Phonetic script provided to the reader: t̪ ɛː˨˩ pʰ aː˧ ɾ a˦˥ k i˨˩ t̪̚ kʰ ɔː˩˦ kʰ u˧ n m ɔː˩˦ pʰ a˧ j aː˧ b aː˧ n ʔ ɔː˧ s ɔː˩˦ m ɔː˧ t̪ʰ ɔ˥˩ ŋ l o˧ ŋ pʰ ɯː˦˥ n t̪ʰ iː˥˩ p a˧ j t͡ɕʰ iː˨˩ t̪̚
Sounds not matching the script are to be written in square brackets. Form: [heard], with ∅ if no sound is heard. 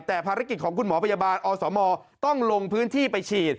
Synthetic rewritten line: t̪ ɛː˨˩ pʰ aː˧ ɾ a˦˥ k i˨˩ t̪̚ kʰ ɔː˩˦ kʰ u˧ n m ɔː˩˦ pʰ a˧ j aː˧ b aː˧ n ʔ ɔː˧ s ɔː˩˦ m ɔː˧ [t̪] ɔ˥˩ ŋ l o˧ ŋ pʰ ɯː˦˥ n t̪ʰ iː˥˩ p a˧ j t͡ɕʰ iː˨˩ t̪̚